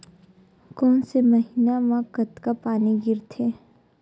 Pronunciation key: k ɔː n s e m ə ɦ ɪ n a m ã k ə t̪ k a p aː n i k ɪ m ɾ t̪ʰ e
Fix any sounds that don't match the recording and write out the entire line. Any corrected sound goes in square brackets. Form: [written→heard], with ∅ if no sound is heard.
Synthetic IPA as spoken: k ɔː n s e m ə ɦ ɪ n a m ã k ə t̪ k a p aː n i [k→ɡ] ɪ [m→∅] ɾ t̪ʰ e

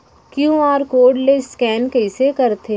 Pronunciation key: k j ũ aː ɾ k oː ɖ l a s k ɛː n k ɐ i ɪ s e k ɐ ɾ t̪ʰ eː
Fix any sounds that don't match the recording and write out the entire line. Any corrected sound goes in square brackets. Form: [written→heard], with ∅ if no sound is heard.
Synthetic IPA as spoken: k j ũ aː ɾ k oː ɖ l [a→e] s k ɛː n k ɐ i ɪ s e k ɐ ɾ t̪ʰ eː

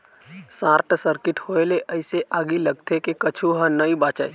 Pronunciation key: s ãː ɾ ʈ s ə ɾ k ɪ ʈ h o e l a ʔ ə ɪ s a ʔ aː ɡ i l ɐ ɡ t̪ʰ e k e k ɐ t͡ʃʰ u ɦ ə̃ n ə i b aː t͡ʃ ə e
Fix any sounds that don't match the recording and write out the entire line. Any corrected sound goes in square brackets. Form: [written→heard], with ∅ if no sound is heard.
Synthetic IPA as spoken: s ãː ɾ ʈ s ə ɾ k ɪ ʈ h o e l [a→e] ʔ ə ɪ s [a→e] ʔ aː ɡ i l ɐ ɡ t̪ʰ e k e k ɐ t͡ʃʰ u ɦ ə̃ n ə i b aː t͡ʃ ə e

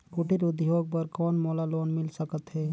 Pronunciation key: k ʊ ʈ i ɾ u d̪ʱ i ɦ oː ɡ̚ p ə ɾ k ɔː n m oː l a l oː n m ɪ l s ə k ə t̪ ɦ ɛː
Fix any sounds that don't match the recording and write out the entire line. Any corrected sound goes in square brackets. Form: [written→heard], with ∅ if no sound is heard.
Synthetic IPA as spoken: k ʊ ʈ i ɾ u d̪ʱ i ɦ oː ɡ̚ p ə ɾ k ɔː n m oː l a l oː n m ɪ l s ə k ə t̪ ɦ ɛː

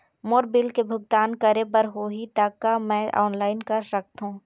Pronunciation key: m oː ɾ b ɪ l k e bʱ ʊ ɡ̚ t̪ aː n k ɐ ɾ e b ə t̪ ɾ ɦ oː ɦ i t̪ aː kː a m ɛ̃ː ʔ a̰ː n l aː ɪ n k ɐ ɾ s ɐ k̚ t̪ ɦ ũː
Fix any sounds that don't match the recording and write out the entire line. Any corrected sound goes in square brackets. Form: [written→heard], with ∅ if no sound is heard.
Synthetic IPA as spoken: m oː ɾ b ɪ l k e bʱ ʊ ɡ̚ t̪ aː n k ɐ ɾ e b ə [t̪→∅] ɾ ɦ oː ɦ i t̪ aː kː a m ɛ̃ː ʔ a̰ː n l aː ɪ n k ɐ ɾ s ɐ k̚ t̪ ɦ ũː

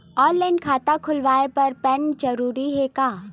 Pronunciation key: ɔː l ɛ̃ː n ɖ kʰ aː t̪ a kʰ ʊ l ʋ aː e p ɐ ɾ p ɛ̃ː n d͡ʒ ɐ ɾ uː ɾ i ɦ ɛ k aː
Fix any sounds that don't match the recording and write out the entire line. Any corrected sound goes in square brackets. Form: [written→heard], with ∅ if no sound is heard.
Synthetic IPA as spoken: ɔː l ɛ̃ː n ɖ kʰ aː t̪ a kʰ ʊ l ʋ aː e p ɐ ɾ p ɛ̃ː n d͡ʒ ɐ ɾ uː ɾ i ɦ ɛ k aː

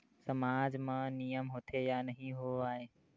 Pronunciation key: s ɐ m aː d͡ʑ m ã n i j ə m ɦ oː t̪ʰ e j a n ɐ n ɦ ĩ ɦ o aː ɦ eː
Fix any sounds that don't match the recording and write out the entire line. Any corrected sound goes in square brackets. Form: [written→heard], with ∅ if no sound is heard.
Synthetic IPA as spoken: s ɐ m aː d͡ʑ m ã n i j ə m ɦ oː t̪ʰ e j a n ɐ [n→∅] ɦ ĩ ɦ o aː ɦ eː

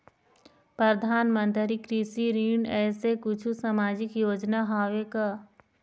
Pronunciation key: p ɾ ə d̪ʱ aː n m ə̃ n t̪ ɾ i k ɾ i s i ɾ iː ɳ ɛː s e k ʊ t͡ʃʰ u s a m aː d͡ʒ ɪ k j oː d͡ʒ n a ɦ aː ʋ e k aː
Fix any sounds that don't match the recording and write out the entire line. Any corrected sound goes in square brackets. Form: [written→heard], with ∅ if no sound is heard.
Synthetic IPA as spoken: p ɾ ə d̪ʱ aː n m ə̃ n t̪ ɾ i k ɾ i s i ɾ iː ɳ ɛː s e k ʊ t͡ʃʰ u s a m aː d͡ʒ ɪ k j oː d͡ʒ n a ɦ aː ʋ e k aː

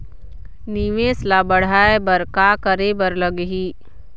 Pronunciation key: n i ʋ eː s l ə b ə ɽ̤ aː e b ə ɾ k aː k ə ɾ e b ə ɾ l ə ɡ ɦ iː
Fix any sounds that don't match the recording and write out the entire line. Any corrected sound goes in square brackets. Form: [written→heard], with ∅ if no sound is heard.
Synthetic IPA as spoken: n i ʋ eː s l [ə→a] b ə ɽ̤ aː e b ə ɾ k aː k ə ɾ e b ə ɾ l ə ɡ ɦ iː

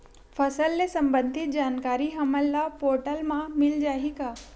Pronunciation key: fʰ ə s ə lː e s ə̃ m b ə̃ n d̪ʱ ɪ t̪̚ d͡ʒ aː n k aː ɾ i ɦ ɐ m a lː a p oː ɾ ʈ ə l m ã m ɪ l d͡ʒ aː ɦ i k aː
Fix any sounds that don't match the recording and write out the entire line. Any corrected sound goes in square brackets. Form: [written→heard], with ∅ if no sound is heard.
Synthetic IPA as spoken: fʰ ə s ə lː e s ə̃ m b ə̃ n d̪ʱ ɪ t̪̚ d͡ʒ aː n k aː ɾ i ɦ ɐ m [a→ə] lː a p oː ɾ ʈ ə l m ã m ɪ l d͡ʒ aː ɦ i k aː

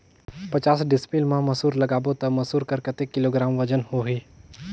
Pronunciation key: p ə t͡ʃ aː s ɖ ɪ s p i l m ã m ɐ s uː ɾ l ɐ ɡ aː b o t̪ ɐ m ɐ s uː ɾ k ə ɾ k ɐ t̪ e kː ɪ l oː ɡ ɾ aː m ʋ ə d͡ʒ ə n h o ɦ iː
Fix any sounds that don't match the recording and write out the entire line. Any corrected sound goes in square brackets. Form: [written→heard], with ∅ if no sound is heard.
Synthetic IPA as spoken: p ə t͡ʃ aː s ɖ ɪ s p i l m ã m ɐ s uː ɾ l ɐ ɡ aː b o t̪ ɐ m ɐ s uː ɾ k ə ɾ k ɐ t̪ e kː ɪ l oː ɡ ɾ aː m ʋ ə d͡ʒ ə n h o ɦ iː

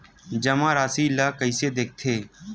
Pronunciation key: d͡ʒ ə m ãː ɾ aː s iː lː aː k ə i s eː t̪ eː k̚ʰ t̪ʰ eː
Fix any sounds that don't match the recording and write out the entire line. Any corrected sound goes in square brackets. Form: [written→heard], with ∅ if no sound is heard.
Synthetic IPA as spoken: d͡ʒ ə m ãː ɾ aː s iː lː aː k ə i s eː [t̪→d̪] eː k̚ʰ t̪ʰ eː

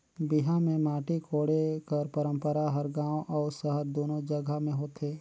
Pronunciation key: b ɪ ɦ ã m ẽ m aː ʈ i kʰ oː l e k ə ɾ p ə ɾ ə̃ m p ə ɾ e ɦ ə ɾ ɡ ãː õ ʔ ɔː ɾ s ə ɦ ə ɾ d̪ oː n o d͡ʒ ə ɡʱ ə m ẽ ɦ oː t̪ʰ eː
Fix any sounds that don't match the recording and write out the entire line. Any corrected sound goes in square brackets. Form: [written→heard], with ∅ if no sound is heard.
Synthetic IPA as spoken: b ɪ ɦ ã m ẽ m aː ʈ i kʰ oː [l→ɽ] e k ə ɾ p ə ɾ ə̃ m p ə ɾ [e→a] ɦ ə ɾ ɡ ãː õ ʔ ɔː ɾ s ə ɦ ə ɾ d̪ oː n o d͡ʒ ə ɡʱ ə m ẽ ɦ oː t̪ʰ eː

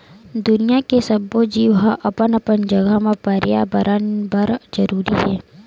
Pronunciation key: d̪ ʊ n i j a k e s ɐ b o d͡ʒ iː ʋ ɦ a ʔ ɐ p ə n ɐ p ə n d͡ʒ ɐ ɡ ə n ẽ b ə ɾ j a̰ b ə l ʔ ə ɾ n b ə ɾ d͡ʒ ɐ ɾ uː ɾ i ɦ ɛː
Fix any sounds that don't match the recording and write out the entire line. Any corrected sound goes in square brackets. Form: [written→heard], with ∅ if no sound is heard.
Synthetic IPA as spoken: d̪ ʊ n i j a k e s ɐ b o d͡ʒ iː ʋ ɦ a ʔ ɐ p ə n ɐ p ə n d͡ʒ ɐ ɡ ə [n→m] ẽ [b→p] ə ɾ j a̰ b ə [l→ɾ] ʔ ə [ɾ→∅] n b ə ɾ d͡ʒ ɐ ɾ uː ɾ i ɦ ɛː

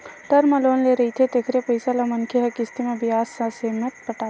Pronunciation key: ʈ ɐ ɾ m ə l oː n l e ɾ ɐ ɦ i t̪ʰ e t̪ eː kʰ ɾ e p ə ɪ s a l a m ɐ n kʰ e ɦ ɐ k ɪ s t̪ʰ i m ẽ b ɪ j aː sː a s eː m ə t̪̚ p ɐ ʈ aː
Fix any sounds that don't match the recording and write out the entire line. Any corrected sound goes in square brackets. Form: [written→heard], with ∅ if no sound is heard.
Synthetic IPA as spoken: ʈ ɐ ɾ m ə l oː n l e ɾ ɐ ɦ i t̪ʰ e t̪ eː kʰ ɾ e p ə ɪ s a l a m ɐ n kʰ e ɦ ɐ k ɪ s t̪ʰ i m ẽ b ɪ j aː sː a s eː m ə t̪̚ p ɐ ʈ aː

